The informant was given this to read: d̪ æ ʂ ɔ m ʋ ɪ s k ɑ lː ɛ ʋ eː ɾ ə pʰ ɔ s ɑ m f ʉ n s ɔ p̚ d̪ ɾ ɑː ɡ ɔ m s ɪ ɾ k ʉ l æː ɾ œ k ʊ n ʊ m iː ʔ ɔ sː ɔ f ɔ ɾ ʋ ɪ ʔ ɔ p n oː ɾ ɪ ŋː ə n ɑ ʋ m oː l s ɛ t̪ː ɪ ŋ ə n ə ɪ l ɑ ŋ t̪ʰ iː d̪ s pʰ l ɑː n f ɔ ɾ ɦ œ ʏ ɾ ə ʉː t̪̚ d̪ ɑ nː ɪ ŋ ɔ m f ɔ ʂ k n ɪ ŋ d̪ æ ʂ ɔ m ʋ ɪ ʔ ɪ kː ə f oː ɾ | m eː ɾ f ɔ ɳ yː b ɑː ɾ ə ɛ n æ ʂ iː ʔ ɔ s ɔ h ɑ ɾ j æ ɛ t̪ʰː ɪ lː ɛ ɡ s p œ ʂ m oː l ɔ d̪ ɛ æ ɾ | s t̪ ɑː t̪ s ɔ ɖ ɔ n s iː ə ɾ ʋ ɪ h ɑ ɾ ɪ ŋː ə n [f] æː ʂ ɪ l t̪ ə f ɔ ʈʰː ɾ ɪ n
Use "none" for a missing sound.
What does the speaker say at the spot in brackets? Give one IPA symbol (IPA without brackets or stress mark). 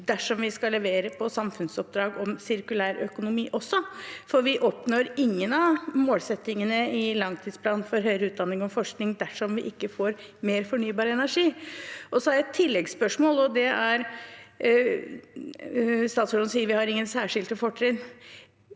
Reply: s